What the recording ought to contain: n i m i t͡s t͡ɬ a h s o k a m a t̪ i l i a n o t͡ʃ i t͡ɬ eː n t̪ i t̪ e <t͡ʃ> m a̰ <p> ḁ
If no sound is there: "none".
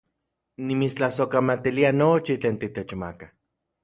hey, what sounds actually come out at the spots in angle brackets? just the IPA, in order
t͡ʃ, k

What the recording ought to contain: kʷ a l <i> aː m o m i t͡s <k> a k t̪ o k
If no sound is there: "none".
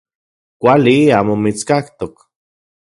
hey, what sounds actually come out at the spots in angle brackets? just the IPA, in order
i, k

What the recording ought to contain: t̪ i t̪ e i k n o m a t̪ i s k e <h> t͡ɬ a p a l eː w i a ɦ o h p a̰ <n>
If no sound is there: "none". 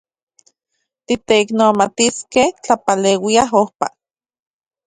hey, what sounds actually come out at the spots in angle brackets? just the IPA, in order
h, none

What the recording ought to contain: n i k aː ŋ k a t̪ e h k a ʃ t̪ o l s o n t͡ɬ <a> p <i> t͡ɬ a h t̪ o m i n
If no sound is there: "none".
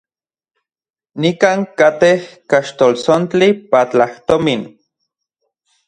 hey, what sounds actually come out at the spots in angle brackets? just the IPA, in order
i, a

